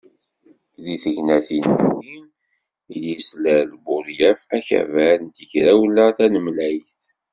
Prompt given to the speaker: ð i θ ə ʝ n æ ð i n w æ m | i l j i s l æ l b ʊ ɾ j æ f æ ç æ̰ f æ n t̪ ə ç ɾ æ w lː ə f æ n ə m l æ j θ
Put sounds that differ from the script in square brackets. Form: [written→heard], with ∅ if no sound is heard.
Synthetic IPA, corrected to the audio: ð i θ ə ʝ n æ [ð→θ] i n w [æ→i] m | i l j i s l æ l b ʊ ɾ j æ f æ ç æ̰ [f→v] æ n t̪ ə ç ɾ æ w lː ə [f→θ] æ n ə m l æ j θ

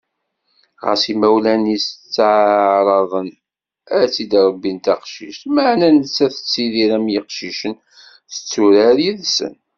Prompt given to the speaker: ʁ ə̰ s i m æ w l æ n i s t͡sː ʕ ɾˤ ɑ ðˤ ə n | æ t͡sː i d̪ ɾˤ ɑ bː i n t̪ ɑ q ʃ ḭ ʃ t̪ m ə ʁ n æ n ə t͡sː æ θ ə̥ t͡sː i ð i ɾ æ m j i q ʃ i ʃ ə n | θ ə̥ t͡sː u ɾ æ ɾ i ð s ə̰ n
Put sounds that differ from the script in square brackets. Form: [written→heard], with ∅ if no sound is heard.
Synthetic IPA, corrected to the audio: ʁ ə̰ s i m æ w l æ n i s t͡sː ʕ ɾˤ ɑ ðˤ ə n | æ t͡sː i d̪ ɾˤ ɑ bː i n t̪ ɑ q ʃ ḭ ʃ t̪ m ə [ʁ→ʕ] n æ n ə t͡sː æ θ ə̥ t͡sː i ð i ɾ æ m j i q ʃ i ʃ ə n | θ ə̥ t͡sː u ɾ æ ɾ i ð s ə̰ n

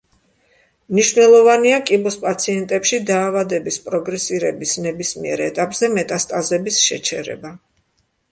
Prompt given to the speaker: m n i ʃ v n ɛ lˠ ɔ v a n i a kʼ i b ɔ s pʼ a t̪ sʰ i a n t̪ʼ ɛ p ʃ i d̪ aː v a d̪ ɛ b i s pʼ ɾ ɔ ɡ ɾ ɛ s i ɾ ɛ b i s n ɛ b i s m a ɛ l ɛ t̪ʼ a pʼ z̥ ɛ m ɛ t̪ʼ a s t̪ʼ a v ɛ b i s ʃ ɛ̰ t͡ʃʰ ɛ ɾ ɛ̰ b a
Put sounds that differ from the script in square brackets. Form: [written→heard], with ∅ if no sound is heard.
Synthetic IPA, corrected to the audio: m n i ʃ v n ɛ lˠ ɔ v a n i a kʼ i b ɔ s pʼ a t̪ sʰ i [a→ɛ] n t̪ʼ ɛ p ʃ i d̪ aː v a d̪ ɛ b i s pʼ ɾ ɔ ɡ ɾ ɛ s i ɾ ɛ b i s n ɛ b i s m [a→i] ɛ [l→ɾ] ɛ t̪ʼ a pʼ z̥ ɛ m ɛ t̪ʼ a s t̪ʼ a [v→z] ɛ b i s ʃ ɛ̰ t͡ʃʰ ɛ ɾ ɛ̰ b a

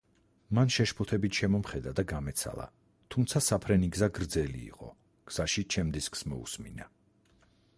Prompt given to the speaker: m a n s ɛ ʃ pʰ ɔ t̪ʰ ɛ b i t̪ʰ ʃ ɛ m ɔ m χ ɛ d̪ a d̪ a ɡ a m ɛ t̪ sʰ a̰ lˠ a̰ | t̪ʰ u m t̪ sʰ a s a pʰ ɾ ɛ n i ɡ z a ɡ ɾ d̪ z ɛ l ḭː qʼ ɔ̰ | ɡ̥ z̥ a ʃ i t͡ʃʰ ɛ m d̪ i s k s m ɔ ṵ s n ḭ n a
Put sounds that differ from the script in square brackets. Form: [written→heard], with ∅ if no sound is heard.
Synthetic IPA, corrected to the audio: m a n [s→ʃ] ɛ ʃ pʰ ɔ t̪ʰ ɛ b i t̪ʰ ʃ ɛ m ɔ m χ ɛ d̪ a d̪ a ɡ a m ɛ t̪ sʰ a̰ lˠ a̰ | t̪ʰ u m t̪ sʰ a s a pʰ ɾ ɛ n i ɡ z a ɡ ɾ d̪ z ɛ l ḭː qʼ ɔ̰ | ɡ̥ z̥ a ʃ i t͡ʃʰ ɛ m d̪ i s k s m ɔ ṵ s [n→m] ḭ n a

